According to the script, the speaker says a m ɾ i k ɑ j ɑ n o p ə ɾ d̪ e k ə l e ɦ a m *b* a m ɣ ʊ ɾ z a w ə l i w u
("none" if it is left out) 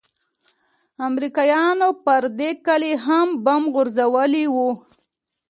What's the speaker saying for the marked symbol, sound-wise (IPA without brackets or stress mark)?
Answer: b